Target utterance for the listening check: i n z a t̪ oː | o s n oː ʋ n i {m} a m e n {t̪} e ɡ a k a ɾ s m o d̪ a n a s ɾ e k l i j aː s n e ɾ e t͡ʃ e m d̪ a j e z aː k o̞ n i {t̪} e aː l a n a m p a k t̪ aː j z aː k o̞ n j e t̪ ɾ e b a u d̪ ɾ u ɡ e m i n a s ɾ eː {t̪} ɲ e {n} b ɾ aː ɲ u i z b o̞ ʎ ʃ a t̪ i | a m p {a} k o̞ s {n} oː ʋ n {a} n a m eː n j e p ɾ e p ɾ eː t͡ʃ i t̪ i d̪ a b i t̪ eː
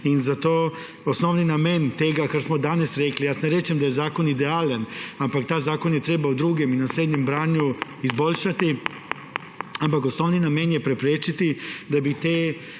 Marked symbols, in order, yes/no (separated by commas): no, yes, no, no, no, yes, yes, no